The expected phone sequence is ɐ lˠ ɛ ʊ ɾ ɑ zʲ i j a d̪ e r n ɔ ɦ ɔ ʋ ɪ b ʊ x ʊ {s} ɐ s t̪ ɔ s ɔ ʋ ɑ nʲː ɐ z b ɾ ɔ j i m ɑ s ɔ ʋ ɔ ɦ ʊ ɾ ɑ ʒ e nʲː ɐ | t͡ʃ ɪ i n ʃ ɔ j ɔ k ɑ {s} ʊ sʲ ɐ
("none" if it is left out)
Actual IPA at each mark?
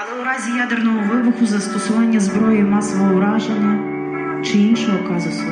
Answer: z, z

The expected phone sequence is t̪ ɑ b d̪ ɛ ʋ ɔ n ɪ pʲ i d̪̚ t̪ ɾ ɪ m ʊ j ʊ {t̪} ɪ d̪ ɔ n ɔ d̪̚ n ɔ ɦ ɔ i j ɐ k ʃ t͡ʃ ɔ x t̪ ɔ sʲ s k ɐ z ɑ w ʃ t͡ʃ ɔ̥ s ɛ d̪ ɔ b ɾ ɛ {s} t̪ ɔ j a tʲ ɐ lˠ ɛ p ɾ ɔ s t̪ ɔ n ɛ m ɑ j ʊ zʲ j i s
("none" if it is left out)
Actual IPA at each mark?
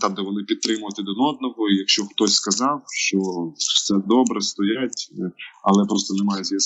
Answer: t̪, s

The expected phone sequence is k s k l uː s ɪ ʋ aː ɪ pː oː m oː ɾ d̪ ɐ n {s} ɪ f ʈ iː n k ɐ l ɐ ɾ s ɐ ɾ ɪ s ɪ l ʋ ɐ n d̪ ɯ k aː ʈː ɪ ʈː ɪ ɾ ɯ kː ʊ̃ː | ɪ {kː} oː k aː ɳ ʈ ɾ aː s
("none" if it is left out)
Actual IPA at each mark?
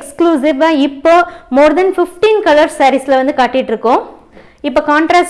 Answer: f, pː

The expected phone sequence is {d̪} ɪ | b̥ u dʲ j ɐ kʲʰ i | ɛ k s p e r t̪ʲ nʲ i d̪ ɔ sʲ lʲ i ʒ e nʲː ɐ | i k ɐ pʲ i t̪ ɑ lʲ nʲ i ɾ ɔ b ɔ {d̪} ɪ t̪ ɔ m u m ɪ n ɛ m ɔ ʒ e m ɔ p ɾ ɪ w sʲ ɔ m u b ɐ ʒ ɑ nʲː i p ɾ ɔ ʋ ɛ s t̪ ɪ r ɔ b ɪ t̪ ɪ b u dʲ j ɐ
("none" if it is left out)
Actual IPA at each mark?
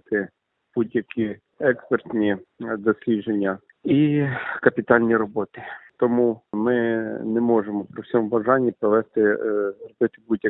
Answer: t̪, t̪

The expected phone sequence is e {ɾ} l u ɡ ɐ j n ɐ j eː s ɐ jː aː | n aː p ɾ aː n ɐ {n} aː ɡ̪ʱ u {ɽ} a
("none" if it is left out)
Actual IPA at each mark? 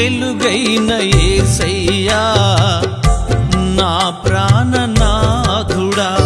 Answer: none, n, ɽ

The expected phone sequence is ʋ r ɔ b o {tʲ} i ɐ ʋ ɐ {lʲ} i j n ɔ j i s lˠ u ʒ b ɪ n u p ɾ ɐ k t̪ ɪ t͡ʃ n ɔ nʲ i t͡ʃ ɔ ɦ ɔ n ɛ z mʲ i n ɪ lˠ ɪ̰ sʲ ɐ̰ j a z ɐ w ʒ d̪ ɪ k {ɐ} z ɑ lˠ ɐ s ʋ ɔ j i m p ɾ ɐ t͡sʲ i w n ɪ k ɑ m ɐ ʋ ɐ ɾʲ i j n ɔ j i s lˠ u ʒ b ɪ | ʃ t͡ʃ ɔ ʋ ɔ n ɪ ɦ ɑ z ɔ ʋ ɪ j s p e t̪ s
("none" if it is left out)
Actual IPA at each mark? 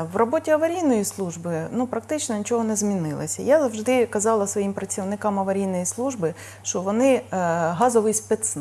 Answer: tʲ, ɾʲ, ɐ

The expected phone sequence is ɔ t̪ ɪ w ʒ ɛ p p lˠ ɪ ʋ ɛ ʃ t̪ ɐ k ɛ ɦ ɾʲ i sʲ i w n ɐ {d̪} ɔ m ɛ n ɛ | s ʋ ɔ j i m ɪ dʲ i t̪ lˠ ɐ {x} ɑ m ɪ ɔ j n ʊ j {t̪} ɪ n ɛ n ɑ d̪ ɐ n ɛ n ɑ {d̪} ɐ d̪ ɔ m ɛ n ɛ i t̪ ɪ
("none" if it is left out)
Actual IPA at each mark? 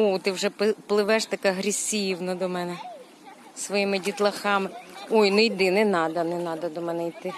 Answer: d̪, x, d̪, d̪

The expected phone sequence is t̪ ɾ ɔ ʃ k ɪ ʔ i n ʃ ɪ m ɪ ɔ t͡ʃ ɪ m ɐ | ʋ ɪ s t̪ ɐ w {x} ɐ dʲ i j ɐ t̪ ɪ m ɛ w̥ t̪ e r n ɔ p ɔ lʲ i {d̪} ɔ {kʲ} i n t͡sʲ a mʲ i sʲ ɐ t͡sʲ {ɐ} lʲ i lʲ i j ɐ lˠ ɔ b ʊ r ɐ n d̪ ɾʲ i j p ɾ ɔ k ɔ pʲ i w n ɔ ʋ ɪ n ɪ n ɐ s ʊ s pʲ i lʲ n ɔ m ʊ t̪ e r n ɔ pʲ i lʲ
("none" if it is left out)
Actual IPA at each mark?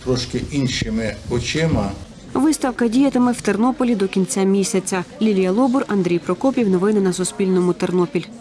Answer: k, d̪, kʲ, ɐ

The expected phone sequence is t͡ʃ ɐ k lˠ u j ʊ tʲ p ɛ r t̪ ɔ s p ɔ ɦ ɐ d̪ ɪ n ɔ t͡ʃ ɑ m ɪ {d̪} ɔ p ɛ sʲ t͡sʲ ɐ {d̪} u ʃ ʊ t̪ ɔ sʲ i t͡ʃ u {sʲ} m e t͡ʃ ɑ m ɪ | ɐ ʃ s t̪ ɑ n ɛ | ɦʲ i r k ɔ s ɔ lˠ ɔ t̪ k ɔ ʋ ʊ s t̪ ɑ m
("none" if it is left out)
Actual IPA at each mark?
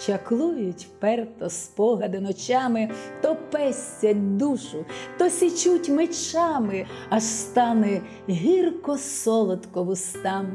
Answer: t̪, d̪, tʲ

